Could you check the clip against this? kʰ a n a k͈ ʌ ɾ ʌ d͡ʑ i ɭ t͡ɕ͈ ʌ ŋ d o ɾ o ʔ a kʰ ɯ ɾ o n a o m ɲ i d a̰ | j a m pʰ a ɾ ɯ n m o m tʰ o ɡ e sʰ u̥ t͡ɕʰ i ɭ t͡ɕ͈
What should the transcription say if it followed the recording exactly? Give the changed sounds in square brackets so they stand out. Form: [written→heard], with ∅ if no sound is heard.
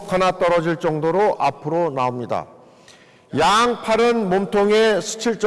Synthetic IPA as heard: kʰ a n a [k͈→t͈] ʌ ɾ ʌ d͡ʑ i ɭ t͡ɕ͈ ʌ ŋ d o ɾ o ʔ a [kʰ→pʰ] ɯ ɾ o n a o m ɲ i d a̰ | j a [m→ŋ] pʰ a ɾ ɯ n m o m tʰ o [ɡ→ŋ] e sʰ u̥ t͡ɕʰ i ɭ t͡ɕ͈